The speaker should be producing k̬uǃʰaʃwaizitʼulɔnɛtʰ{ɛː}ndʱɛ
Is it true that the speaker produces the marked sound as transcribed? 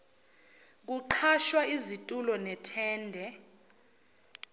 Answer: yes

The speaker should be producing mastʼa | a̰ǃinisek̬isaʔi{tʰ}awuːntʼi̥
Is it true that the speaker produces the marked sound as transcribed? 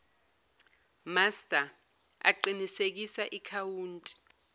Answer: no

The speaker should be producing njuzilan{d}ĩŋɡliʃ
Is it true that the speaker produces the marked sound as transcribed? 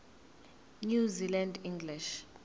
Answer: yes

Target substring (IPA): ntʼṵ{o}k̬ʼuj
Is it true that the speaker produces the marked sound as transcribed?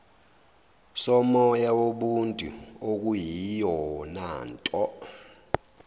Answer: yes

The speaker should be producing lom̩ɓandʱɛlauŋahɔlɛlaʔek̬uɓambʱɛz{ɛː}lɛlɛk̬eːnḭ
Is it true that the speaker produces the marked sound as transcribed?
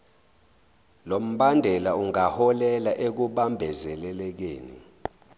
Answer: no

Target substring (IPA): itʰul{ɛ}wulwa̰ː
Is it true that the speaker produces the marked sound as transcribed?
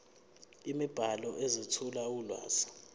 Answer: no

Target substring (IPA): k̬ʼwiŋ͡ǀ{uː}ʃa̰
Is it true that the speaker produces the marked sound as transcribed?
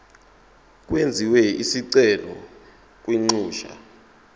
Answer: yes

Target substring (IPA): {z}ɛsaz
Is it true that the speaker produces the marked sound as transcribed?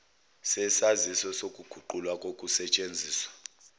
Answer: no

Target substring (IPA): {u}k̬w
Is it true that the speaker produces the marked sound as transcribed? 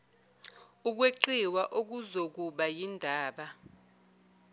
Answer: yes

